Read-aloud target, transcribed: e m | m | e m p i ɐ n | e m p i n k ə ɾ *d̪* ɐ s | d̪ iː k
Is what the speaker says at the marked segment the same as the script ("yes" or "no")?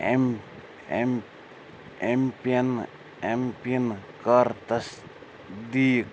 no